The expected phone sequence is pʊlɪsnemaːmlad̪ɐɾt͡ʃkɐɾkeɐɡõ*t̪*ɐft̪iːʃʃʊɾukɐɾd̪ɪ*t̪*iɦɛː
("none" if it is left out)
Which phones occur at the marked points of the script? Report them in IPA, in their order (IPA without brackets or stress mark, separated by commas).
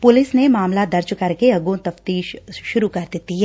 t̪, t̪